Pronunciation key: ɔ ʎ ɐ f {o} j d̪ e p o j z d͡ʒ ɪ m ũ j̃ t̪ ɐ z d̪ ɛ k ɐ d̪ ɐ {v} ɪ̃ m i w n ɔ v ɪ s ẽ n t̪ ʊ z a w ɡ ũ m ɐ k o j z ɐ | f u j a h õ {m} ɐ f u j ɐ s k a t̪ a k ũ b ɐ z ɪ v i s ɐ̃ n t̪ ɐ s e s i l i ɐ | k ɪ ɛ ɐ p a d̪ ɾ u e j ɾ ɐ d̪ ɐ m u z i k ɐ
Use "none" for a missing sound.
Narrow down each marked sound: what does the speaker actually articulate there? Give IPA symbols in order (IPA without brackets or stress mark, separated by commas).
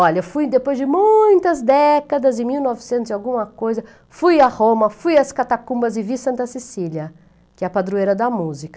u, z, m